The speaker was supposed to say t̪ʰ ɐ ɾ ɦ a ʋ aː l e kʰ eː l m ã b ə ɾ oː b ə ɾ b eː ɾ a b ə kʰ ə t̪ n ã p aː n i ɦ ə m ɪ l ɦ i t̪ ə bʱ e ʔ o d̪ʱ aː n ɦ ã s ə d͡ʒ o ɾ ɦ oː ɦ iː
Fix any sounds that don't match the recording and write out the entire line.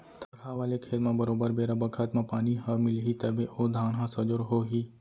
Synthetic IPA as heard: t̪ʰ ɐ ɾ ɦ a ʋ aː l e kʰ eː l m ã b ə ɾ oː b ə ɾ b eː ɾ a b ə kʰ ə t̪ m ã p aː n i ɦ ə m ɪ l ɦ i t̪ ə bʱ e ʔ o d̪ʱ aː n ɦ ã s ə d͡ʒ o ɾ ɦ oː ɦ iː